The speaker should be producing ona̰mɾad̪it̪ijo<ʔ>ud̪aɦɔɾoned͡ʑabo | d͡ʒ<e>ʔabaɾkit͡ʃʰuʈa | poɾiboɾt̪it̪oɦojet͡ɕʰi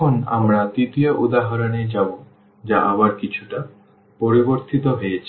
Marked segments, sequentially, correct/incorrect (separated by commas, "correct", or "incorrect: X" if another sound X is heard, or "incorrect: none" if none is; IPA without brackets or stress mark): correct, incorrect: a